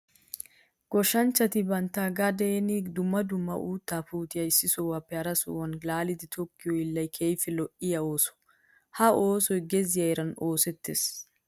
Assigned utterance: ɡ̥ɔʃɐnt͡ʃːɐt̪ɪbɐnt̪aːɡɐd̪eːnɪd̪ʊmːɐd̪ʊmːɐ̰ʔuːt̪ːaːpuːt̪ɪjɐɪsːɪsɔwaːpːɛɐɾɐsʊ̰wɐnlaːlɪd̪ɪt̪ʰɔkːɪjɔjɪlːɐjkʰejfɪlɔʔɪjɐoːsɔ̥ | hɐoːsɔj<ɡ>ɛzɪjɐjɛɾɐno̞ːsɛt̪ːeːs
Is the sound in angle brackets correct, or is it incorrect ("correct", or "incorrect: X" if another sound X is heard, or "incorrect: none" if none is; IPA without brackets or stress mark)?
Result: correct